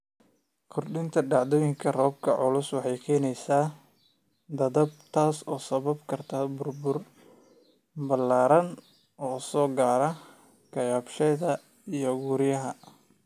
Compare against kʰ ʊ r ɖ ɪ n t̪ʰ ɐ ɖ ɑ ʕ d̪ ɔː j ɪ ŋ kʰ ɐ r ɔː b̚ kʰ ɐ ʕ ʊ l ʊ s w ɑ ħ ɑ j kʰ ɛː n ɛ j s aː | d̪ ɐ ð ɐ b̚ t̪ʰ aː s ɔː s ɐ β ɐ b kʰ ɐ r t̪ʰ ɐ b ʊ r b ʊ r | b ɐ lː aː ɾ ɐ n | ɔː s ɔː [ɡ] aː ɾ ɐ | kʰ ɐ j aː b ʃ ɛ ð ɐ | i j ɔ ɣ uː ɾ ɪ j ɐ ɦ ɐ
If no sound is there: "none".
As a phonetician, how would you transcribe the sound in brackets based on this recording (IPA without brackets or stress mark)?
ɡ